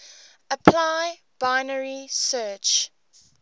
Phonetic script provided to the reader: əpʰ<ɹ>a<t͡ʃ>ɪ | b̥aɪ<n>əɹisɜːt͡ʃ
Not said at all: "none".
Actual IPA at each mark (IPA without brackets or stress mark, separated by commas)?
l, none, n